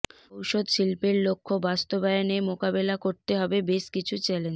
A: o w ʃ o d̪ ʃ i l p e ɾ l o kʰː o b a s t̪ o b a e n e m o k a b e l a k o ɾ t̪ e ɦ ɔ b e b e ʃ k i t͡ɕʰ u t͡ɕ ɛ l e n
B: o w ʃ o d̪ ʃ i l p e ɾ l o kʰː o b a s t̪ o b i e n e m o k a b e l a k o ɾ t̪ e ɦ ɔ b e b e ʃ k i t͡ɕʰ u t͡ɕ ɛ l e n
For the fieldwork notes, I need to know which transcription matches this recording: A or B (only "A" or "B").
A